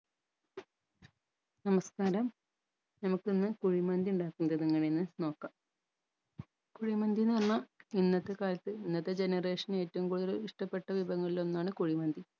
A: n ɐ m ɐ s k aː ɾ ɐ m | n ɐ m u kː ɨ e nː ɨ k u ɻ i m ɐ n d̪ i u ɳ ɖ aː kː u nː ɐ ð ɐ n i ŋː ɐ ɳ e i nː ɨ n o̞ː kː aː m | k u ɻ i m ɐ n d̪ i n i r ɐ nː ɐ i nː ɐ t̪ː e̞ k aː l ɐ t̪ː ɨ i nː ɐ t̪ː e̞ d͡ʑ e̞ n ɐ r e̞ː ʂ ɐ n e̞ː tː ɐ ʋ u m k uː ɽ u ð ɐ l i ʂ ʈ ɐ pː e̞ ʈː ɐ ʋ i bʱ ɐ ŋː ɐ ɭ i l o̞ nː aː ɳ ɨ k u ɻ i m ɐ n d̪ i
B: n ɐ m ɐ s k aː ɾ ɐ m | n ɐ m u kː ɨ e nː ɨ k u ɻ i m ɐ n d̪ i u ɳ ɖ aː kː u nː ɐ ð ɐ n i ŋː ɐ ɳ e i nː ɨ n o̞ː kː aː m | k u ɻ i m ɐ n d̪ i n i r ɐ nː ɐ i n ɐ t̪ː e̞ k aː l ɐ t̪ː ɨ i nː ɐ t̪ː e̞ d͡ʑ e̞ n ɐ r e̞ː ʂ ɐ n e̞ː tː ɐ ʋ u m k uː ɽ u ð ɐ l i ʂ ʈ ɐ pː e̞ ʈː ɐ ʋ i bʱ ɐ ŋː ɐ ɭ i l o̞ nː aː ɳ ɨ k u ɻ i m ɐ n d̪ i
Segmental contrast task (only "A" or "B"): A